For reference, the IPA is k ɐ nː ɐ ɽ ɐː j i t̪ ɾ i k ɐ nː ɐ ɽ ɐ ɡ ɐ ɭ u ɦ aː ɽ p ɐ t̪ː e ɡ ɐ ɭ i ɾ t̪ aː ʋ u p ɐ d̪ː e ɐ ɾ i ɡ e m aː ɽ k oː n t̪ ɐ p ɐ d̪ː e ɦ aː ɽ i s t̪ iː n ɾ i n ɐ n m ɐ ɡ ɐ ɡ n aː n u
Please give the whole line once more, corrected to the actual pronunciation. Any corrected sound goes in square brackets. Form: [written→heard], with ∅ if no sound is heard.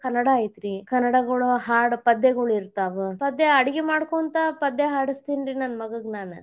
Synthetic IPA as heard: k ɐ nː ɐ ɽ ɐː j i t̪ ɾ i k ɐ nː ɐ ɽ ɐ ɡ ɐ ɭ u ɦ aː ɽ p ɐ [t̪ː→d̪ː] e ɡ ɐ ɭ i ɾ t̪ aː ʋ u p ɐ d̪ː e ɐ [ɾ→ɽ] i ɡ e m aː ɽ k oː n t̪ ɐ p ɐ d̪ː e ɦ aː ɽ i s t̪ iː n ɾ i n ɐ n m ɐ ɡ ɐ ɡ n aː n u

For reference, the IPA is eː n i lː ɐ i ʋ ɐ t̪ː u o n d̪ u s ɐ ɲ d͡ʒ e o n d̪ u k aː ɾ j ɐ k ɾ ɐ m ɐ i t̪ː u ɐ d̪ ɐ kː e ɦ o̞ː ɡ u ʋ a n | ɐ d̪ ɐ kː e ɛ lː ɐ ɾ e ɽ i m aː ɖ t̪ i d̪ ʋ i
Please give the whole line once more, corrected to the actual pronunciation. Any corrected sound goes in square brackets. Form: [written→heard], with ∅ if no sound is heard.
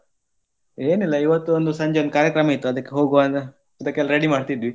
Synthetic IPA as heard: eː n i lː ɐ i ʋ ɐ t̪ː u o n d̪ u s ɐ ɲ d͡ʒ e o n d̪ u k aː ɾ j ɐ k ɾ ɐ m ɐ i t̪ː u ɐ d̪ ɐ kː e ɦ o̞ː ɡ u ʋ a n | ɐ d̪ ɐ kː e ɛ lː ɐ ɾ e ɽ i m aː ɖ t̪ i d̪ ʋ i

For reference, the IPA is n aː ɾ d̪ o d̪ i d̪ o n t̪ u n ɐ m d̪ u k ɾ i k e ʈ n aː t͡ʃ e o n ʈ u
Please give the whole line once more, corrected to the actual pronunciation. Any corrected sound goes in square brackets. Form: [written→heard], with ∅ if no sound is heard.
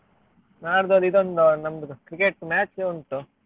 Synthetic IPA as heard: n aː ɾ d̪ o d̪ i d̪ o n [t̪→d̪] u n ɐ m d̪ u k ɾ i k e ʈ [n→m] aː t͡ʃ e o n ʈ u

